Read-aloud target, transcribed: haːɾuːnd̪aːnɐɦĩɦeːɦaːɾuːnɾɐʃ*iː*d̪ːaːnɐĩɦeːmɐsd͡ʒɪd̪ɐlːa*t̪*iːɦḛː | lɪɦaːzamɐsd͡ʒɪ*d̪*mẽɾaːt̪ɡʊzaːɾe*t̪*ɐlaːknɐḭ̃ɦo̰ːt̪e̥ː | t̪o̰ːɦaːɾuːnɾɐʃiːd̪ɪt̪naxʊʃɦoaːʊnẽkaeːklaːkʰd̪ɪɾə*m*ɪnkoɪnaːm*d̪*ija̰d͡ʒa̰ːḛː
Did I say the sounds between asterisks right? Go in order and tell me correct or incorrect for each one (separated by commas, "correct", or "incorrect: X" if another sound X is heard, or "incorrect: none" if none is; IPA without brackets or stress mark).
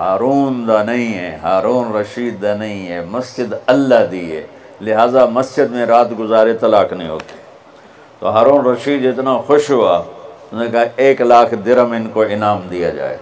correct, incorrect: d̪, correct, correct, correct, correct